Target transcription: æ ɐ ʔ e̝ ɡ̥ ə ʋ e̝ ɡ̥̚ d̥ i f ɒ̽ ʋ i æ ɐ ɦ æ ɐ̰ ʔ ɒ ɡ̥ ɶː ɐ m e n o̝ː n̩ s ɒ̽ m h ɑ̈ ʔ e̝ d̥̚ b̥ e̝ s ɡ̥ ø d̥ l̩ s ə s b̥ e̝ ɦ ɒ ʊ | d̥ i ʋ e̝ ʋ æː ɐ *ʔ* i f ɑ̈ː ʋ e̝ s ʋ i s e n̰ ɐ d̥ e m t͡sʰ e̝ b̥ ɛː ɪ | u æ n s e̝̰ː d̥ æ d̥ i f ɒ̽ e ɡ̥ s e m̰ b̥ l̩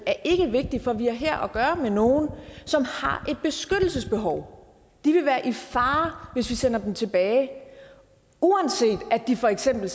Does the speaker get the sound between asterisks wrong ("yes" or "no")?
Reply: no